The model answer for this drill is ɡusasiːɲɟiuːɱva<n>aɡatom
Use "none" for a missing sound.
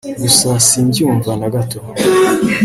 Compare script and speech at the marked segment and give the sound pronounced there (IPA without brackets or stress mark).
n